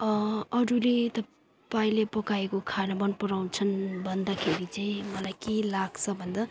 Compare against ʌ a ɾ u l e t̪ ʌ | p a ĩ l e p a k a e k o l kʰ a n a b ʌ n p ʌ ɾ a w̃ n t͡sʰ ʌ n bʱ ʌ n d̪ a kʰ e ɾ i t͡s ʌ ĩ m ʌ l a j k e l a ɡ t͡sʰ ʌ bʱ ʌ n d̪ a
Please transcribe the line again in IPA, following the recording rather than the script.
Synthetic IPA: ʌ ʌ ɾ u l e t̪ ʌ | p a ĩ l e p ʌ k a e k o kʰ a n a b ʌ n p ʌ ɾ a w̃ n t͡sʰ ʌ n bʱ ʌ n d̪ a kʰ e ɾ i t͡s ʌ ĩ m ʌ l a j k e l a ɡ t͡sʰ ʌ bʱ ʌ n d̪ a